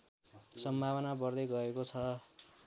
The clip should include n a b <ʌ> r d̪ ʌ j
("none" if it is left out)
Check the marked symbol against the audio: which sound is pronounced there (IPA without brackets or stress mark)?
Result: ʌ